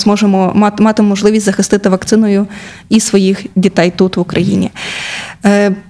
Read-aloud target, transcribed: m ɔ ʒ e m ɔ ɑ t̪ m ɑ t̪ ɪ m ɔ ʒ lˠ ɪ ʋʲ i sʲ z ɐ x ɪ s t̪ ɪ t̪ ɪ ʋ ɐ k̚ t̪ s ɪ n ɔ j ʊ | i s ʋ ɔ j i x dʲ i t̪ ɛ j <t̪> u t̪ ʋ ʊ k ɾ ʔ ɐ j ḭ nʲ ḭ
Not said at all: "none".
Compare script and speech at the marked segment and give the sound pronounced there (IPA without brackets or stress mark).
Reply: t̪